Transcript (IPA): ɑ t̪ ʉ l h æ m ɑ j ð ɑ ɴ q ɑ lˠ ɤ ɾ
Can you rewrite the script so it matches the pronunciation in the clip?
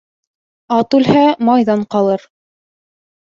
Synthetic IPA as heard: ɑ t̪ ʉ l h æ m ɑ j ð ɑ ɴ q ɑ lˠ ɤ ɾ